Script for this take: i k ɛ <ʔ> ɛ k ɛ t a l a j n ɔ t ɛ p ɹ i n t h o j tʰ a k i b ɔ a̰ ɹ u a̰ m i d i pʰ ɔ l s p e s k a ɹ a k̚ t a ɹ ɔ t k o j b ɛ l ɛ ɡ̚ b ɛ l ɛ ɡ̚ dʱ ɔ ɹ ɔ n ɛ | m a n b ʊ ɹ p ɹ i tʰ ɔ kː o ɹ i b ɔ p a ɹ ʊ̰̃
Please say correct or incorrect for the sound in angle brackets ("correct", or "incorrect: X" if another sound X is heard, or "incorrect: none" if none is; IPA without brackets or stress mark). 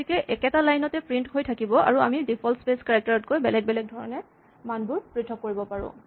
correct